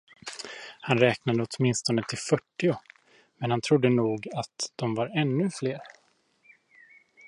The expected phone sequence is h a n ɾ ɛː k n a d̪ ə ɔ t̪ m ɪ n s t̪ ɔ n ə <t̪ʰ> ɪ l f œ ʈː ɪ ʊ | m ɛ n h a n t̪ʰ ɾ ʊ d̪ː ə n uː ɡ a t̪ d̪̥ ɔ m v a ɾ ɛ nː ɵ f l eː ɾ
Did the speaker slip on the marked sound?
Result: no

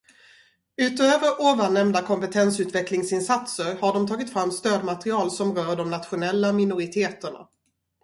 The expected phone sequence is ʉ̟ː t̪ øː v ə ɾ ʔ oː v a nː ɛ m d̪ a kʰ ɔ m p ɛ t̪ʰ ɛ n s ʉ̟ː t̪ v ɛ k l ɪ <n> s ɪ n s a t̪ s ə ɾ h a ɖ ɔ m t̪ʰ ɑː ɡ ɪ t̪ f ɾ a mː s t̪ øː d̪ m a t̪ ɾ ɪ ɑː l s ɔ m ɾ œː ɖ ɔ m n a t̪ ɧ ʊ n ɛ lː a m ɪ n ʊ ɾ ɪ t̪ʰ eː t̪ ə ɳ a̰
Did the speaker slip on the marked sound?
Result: yes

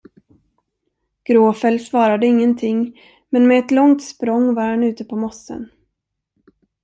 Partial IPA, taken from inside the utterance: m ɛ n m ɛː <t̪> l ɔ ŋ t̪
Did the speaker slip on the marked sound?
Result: no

